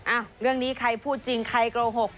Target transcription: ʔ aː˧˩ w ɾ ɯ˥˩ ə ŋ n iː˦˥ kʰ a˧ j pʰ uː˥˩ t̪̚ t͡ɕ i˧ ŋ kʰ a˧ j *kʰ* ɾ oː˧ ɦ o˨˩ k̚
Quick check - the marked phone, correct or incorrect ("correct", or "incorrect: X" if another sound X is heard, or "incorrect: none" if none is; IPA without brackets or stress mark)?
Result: incorrect: k